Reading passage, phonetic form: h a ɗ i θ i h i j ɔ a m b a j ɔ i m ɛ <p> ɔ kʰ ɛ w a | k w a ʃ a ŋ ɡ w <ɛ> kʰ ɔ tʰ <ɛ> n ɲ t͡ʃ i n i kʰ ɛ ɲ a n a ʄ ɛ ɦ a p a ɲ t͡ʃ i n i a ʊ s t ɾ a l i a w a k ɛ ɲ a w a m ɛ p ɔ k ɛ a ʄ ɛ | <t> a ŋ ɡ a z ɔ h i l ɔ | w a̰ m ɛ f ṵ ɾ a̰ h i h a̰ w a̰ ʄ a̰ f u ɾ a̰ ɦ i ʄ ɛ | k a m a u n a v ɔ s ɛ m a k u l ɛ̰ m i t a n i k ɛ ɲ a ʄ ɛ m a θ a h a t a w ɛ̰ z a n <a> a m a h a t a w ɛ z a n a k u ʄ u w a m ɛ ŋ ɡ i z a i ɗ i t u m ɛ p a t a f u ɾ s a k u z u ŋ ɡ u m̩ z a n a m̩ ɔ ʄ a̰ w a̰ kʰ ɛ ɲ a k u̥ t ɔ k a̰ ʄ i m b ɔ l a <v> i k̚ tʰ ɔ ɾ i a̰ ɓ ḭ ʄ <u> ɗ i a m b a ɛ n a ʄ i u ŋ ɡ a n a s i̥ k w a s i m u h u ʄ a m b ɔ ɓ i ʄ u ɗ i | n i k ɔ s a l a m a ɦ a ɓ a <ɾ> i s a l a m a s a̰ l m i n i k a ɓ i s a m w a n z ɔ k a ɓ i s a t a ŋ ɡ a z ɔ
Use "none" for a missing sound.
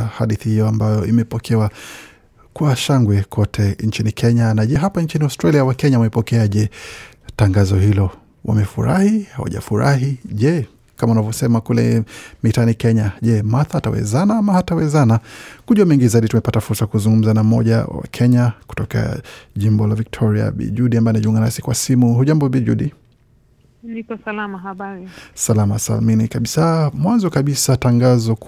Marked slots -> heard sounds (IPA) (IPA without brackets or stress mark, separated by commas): p, ɛ, ɛ, t, a, v, u, ɾ